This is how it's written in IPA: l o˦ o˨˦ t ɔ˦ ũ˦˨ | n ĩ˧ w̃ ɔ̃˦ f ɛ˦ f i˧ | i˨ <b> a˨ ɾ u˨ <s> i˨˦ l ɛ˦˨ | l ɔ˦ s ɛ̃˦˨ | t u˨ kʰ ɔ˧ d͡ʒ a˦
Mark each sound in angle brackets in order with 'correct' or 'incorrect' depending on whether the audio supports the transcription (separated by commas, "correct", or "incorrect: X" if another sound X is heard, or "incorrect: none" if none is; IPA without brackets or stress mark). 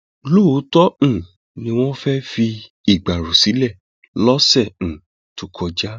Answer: incorrect: ɡ͡b, correct